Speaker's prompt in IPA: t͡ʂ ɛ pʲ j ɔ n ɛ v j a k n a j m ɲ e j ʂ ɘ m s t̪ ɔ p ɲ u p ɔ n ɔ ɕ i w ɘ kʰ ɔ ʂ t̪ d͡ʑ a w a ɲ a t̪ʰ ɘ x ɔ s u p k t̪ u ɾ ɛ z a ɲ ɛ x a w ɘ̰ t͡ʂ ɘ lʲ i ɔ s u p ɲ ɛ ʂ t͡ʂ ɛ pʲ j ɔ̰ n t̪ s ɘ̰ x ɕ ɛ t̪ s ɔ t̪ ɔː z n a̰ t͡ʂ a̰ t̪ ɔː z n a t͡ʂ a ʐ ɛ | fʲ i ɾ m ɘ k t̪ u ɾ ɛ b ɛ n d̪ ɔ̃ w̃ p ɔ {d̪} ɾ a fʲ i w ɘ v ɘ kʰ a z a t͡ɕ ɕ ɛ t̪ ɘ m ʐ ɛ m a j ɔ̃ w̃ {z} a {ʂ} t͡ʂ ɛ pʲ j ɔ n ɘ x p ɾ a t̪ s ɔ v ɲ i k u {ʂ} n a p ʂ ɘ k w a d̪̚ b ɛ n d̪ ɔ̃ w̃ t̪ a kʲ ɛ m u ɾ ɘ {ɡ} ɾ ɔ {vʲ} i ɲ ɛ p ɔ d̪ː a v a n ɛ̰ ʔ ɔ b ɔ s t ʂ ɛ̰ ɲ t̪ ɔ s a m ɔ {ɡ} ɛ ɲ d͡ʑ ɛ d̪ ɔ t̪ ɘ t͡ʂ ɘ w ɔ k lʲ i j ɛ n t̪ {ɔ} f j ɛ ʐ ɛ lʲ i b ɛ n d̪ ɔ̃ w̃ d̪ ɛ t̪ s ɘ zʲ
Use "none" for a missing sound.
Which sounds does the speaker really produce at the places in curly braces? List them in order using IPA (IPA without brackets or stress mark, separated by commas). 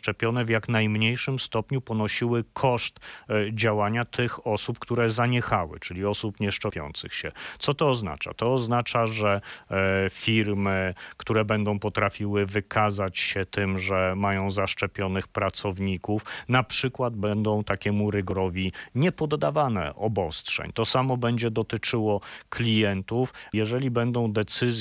t̪, z, ʂ, f, ɡ, vʲ, b, u